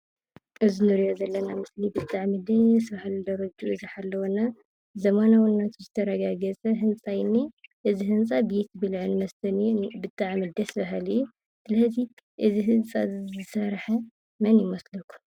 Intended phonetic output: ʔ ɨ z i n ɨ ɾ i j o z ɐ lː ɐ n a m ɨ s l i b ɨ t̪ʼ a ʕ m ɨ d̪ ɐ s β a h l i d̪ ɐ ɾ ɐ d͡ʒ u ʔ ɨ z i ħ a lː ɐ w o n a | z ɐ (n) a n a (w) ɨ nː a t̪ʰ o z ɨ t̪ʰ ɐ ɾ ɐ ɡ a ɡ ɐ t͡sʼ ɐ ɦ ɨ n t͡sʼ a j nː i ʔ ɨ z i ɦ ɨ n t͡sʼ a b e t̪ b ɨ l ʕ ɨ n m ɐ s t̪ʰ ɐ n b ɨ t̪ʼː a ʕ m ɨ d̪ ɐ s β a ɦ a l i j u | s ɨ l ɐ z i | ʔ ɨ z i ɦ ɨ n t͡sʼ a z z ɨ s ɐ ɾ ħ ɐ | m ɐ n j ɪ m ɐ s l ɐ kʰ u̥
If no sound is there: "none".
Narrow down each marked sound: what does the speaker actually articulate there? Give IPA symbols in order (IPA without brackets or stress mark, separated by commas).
m, w